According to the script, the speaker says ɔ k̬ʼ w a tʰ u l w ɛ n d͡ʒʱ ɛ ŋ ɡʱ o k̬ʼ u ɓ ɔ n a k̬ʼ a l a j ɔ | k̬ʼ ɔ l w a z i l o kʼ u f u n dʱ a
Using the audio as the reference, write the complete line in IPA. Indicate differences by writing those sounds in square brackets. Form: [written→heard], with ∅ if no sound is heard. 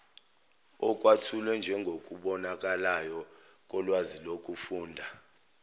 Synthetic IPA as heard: ɔ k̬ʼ w a tʰ u l w ɛ n d͡ʒʱ ɛ ŋ ɡʱ o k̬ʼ u ɓ ɔ n a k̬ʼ a l a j ɔ | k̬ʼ ɔ l w a z i l o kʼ u f [u→uː] n dʱ a